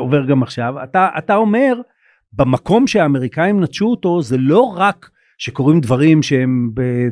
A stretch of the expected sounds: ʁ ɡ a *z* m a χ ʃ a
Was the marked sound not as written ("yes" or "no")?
yes